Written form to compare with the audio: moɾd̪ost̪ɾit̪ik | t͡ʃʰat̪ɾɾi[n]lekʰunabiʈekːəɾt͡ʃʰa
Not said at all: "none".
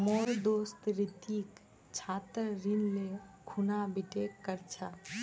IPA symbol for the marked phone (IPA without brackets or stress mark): n